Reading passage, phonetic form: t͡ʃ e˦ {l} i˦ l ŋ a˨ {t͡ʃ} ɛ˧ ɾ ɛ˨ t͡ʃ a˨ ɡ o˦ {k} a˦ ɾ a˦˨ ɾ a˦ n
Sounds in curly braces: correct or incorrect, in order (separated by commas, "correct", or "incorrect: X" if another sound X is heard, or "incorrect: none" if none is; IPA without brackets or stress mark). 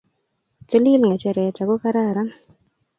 correct, correct, correct